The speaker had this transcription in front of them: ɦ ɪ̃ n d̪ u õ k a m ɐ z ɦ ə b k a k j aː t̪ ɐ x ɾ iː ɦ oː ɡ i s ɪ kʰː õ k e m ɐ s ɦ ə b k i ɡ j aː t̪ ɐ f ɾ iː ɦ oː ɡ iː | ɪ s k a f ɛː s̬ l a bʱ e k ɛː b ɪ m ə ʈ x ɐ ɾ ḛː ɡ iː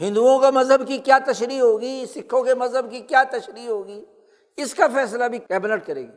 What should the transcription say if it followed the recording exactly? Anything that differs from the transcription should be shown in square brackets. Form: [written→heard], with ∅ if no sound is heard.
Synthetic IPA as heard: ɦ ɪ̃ n d̪ u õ k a m ɐ z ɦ ə b k [a→i] k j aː t̪ ɐ [x→ʃ] ɾ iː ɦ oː ɡ i s ɪ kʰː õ k e m ɐ [s→z] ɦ ə b k i [ɡ→k] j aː t̪ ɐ [f→ʃ] ɾ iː ɦ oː ɡ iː | ɪ s k a f ɛː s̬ l a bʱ [e→i] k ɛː b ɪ [m→n] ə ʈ [x→k] ɐ ɾ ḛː ɡ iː